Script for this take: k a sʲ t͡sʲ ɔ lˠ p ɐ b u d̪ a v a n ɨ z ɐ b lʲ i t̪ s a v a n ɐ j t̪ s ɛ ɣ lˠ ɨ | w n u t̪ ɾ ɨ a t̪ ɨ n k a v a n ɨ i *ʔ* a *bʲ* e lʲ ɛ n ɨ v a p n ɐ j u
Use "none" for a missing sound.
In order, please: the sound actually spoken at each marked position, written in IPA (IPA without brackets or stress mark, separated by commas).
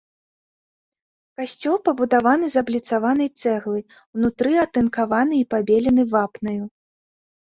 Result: p, bʲ